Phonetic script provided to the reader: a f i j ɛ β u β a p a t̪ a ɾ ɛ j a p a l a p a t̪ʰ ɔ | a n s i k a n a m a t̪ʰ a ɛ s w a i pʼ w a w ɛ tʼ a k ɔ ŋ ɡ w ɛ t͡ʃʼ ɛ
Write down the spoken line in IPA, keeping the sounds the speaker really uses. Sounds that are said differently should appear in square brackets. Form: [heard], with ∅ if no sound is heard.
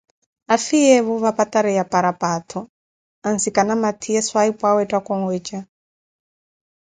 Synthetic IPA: a f i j ɛ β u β a p a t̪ a ɾ ɛ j a p a [ɾ] a p a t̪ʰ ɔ | a n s i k a n a m a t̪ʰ [i] ɛ s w a i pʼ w a w ɛ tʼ a k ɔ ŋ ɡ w ɛ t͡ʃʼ [a]